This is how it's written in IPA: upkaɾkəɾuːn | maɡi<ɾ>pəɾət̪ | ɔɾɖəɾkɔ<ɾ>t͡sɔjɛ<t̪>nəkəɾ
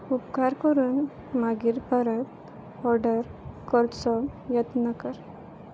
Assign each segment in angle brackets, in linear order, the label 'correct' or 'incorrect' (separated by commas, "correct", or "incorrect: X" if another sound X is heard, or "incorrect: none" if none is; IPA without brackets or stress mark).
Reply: correct, correct, correct